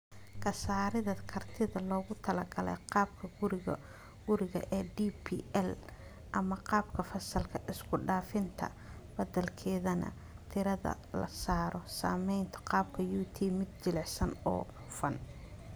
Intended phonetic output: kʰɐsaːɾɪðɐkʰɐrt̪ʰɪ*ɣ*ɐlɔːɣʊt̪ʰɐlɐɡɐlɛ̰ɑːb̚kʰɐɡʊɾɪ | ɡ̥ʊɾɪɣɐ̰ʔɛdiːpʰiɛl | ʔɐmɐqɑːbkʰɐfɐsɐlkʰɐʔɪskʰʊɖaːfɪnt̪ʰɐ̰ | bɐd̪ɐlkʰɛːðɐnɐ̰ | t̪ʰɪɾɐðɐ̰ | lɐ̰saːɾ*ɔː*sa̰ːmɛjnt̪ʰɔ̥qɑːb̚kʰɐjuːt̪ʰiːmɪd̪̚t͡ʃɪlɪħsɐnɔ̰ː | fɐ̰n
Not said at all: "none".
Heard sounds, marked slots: ð, ɔ

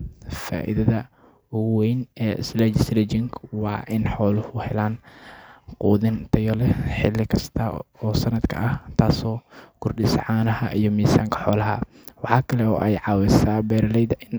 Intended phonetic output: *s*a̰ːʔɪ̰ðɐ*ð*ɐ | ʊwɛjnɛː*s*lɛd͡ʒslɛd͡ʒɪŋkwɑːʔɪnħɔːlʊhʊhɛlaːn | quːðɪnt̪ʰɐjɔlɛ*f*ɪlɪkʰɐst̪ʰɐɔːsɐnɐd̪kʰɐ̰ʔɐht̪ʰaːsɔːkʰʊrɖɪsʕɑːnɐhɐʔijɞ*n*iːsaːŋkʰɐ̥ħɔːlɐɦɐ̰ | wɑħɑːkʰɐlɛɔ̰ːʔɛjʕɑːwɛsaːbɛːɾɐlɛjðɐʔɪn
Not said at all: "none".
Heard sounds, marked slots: f, ð, s, ħ, m

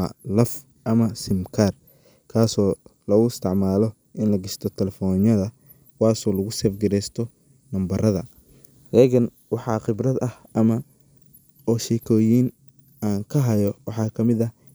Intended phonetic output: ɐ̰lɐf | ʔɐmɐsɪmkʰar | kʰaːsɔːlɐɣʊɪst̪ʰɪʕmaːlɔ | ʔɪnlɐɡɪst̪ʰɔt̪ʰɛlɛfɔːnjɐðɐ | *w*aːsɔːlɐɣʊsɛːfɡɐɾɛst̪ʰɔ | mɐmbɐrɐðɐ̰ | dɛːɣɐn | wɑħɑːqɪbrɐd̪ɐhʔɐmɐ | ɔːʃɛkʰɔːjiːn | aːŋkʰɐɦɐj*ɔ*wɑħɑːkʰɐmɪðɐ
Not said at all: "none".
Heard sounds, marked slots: w, ɔ

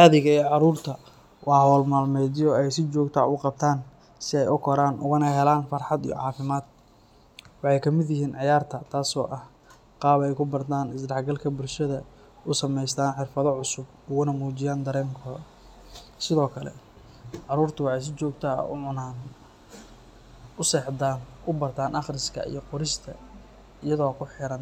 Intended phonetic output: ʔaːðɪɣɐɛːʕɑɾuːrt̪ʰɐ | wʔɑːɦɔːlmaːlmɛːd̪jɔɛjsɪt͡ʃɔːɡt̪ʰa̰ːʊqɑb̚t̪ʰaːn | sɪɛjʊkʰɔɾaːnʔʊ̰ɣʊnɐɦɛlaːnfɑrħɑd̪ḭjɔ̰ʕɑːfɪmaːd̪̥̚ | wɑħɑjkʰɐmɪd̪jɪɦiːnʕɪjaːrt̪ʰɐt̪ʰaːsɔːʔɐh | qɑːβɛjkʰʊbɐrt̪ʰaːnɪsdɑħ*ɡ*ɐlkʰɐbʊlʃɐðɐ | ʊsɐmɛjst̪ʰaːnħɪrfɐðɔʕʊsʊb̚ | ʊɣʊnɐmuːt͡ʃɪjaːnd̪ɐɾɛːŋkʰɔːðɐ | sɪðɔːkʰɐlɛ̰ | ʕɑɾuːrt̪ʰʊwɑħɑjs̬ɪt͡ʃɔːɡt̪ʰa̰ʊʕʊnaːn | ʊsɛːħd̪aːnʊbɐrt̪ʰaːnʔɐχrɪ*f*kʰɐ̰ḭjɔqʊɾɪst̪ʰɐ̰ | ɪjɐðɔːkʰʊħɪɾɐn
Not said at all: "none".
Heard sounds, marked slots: ɡ, s

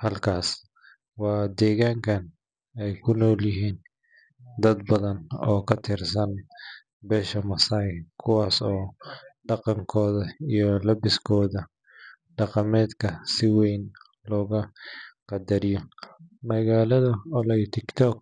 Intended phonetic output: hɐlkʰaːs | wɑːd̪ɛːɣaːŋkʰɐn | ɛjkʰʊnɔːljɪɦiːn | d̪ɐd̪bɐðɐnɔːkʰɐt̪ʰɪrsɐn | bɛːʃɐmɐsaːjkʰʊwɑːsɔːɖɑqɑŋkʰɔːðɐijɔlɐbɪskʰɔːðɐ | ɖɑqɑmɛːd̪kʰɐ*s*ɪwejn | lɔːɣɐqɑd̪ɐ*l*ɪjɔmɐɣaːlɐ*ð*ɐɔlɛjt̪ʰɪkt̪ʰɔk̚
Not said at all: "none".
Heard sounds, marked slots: s, ɾ, ð

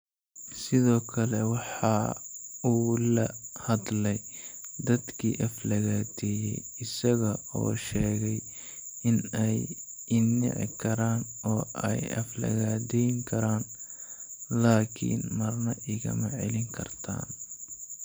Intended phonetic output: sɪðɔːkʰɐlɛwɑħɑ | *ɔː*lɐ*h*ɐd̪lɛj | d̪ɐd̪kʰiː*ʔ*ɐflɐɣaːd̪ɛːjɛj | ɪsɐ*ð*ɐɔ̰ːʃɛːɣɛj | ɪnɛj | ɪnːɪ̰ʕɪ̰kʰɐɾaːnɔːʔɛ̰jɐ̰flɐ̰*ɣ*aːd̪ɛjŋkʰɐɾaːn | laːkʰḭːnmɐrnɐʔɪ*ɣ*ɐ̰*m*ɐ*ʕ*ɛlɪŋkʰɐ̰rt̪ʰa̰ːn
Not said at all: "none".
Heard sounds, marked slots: uː, h, ʔ, ɣ, ɣ, ɣ, m, ʕ

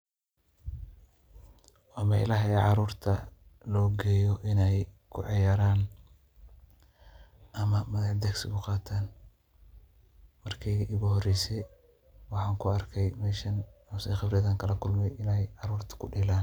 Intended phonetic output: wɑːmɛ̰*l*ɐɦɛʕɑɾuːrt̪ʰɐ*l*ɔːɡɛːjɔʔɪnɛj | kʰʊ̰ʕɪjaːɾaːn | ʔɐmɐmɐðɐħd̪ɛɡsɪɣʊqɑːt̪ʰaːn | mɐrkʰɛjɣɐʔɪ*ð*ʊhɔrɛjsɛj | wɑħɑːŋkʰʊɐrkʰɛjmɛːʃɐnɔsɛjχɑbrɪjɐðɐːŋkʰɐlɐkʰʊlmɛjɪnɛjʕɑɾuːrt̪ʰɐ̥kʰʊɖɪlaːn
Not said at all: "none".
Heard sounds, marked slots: l, l, ɣ

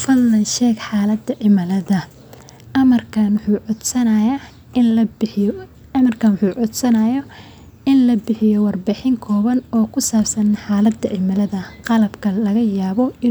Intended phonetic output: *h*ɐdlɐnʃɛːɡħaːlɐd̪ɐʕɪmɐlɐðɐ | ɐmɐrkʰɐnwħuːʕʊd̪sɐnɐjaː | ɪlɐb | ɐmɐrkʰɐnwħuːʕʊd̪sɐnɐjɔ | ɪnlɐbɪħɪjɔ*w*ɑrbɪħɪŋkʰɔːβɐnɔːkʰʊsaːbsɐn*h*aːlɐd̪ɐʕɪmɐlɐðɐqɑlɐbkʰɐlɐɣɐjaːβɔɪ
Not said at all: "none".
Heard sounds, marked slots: f, w, ħ

